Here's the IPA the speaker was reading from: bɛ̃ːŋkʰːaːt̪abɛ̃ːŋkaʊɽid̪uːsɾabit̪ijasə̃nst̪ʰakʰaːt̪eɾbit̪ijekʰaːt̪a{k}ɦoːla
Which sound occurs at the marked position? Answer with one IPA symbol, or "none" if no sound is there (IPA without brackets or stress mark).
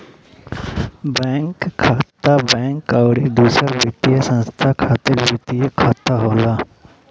none